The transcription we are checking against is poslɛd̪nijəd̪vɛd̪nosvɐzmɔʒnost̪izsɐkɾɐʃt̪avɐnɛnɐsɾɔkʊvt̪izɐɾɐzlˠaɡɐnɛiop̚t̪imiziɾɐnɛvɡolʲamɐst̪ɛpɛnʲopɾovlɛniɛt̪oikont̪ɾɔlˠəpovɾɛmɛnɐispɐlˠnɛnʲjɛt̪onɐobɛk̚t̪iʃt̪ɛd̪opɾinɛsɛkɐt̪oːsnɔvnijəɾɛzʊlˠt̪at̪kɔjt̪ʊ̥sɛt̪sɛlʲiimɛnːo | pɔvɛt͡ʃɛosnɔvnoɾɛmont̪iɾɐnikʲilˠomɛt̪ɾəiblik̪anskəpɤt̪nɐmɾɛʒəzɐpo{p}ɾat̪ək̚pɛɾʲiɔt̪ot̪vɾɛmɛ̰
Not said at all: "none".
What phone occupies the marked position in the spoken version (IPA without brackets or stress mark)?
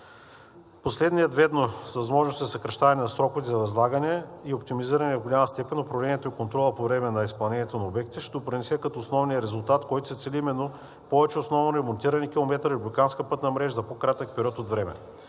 k